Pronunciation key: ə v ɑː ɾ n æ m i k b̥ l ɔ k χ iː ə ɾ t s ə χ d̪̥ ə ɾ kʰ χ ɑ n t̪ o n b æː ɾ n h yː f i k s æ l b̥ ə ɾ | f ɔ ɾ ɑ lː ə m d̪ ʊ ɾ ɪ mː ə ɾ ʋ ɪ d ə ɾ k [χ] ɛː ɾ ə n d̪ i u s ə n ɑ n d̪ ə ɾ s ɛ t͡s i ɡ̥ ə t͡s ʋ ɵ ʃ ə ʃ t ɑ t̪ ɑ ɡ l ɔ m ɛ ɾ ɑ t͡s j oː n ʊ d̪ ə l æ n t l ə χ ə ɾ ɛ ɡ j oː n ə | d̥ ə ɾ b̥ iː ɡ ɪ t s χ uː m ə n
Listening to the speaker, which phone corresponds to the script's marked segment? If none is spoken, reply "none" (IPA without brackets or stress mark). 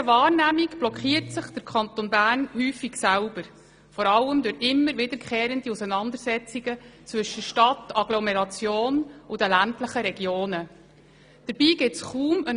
χ